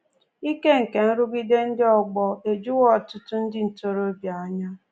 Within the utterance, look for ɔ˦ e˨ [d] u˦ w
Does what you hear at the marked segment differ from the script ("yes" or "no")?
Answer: yes